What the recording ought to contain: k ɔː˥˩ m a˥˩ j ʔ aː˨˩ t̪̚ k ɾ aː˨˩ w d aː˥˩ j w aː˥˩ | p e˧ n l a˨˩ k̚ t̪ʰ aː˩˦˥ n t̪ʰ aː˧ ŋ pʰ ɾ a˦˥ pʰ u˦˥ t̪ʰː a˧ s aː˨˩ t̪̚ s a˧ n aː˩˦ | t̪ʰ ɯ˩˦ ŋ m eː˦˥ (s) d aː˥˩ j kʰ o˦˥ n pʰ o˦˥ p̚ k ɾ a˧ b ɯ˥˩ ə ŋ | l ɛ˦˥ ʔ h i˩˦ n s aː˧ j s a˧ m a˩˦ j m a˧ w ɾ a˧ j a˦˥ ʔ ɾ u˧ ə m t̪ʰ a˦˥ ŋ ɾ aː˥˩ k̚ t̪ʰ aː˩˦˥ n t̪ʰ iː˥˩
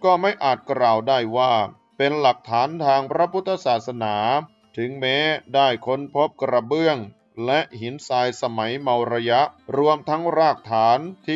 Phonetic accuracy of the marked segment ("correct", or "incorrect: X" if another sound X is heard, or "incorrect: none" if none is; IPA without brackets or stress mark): incorrect: none